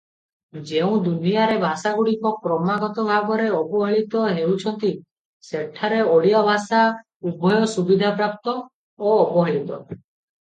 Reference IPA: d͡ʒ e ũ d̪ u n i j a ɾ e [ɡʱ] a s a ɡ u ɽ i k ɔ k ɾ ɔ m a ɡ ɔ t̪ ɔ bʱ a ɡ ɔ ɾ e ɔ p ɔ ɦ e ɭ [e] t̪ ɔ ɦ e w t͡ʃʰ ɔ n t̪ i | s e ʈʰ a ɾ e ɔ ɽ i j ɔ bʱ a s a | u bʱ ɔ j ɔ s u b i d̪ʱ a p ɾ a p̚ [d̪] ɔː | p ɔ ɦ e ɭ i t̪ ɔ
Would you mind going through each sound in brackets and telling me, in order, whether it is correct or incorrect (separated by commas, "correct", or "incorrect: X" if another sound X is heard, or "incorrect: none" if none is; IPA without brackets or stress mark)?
incorrect: bʱ, incorrect: i, incorrect: t̪